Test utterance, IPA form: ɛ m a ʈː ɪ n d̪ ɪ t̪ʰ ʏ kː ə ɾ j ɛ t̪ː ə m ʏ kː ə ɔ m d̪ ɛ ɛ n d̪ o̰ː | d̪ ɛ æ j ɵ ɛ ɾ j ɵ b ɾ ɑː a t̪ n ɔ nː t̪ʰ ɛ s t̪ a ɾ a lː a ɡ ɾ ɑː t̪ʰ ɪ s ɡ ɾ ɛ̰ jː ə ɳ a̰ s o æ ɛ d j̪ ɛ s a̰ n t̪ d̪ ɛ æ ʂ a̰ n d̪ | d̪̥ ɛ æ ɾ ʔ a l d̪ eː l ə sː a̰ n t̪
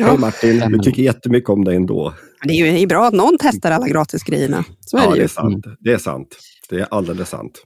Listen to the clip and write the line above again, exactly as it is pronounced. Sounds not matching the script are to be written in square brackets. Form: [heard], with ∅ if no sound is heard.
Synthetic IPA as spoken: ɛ m a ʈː ɪ n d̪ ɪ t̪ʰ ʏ kː ə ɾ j ɛ t̪ː ə m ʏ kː ə ɔ m d̪ ɛ ɛ n d̪ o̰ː | d̪ ɛ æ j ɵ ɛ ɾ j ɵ b ɾ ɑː a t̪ n ɔ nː t̪ʰ ɛ s t̪ a ɾ a lː a ɡ ɾ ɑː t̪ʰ ɪ s ɡ ɾ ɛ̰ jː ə ɳ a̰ s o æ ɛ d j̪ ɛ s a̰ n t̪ d̪ ɛ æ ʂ a̰ n [t̪] | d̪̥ ɛ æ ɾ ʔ a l d̪ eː l ə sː a̰ n t̪